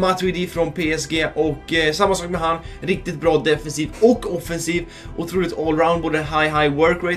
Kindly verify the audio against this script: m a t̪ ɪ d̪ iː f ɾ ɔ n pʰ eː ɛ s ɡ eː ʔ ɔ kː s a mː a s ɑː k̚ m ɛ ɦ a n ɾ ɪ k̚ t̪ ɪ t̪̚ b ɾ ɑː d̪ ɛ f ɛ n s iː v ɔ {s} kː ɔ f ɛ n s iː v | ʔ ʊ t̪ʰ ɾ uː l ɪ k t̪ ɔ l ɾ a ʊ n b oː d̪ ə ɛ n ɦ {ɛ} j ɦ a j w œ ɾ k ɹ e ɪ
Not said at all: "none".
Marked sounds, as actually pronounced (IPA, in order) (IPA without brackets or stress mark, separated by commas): none, a